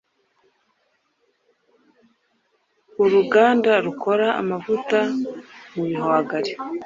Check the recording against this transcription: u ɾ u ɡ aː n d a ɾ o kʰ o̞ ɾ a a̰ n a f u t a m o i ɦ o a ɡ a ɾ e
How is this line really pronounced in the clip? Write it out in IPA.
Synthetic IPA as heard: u ɾ u ɡ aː n d a ɾ u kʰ o̞ ɾ a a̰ m a v u t a m u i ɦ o a ɡ a ɾ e